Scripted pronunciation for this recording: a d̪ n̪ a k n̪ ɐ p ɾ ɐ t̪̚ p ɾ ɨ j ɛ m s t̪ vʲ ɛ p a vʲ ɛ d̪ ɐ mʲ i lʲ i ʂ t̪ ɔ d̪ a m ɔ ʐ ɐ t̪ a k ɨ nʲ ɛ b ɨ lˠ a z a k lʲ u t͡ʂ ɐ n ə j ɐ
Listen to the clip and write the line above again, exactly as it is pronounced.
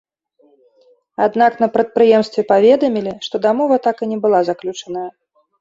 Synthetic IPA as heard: a d̪ n̪ a k n̪ ɐ p ɾ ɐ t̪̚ p ɾ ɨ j ɛ m s t̪ vʲ ɛ p a vʲ ɛ d̪ ɐ mʲ i lʲ i ʂ t̪ ɔ d̪ a m ɔ v ɐ t̪ a k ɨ nʲ ɛ b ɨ lˠ a z a k lʲ u t͡ʂ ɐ n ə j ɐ